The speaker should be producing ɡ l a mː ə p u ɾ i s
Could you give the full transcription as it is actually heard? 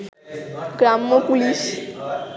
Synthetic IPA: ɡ ɾ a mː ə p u l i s